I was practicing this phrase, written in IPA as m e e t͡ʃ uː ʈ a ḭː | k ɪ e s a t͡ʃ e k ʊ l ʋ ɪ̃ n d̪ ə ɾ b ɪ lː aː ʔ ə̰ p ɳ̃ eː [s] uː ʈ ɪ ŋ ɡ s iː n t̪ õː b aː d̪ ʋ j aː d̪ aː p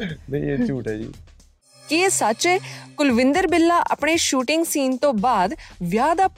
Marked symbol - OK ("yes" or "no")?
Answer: no